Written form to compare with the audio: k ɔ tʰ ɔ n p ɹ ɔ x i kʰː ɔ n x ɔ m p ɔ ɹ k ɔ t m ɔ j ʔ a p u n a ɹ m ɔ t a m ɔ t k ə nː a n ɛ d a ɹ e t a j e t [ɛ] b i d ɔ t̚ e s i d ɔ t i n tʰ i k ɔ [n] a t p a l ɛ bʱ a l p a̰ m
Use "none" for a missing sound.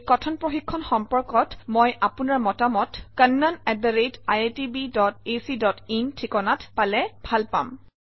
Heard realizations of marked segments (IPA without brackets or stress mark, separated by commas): i, n